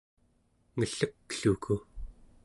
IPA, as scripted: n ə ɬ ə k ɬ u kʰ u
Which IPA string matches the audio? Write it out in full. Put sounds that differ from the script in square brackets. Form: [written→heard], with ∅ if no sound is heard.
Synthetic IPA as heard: [n→ŋ] ə ɬ ə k ɬ u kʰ u